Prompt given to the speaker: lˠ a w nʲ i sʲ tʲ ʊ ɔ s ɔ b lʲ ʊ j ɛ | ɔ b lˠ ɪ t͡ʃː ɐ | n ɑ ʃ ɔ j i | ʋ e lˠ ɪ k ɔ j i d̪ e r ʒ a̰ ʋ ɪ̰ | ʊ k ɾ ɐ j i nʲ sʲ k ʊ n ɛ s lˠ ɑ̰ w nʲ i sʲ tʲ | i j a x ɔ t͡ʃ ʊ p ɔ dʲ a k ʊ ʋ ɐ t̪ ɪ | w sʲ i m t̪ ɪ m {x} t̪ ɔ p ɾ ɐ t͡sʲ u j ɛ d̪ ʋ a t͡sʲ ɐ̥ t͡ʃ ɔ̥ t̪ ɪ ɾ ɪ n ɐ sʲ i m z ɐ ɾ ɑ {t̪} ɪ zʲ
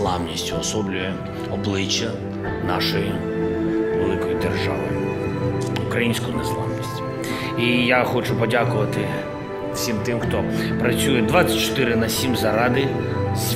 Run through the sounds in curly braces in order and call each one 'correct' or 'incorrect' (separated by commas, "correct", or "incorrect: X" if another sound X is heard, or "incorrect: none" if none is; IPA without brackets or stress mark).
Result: correct, incorrect: d̪